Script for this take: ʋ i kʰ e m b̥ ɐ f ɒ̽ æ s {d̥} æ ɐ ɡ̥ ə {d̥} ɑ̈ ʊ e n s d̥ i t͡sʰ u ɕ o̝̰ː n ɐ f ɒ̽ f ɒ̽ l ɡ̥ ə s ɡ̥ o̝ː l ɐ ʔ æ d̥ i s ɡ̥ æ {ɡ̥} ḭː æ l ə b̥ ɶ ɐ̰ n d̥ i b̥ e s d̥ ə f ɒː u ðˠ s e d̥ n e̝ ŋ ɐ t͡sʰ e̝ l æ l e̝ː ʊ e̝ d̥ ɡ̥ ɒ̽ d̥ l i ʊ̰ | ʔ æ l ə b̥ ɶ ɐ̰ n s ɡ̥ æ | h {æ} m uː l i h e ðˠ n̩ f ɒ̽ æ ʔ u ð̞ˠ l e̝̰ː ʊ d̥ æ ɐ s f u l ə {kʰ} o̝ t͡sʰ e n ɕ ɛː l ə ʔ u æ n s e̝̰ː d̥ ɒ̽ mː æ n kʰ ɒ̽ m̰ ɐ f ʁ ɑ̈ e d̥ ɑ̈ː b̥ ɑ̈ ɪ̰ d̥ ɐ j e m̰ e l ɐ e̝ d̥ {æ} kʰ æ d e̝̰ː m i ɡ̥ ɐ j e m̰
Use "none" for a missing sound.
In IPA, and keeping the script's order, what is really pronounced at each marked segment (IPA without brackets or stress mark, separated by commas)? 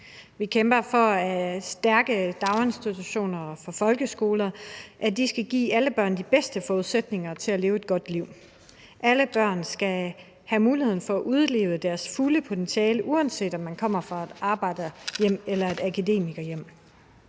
d̥, d̥, ɡ̥, æ, pʰ, æ